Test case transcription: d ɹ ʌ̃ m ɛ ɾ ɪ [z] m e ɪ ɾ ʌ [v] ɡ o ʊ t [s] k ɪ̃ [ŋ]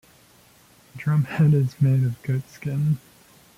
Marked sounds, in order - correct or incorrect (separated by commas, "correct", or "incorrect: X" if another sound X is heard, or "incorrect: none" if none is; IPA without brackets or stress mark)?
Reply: correct, correct, correct, incorrect: n